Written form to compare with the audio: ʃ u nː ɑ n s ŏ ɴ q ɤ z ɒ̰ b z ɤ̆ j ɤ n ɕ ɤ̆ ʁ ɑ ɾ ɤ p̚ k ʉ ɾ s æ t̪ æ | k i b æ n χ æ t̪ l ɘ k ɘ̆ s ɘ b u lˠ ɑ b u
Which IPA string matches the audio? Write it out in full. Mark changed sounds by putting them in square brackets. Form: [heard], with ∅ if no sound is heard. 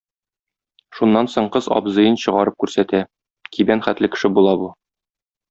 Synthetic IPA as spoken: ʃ u nː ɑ n s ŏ ɴ q ɤ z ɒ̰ b z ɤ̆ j ɤ n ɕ ɤ̆ ʁ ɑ ɾ ɤ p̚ k ʉ ɾ s æ t̪ æ | k i b æ n χ æ t̪ l ɘ k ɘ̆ [ʃ] ɘ b u lˠ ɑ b u